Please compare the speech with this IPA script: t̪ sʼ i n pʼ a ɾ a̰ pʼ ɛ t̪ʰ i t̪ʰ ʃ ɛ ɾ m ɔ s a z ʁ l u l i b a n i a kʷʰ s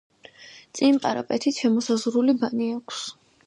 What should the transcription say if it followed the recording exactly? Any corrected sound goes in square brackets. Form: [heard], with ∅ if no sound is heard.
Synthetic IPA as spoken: t̪ sʼ i n pʼ a ɾ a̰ pʼ ɛ t̪ʰ i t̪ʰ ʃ ɛ [∅] m ɔ s a z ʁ [ɾ] u l i b a n i a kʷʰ s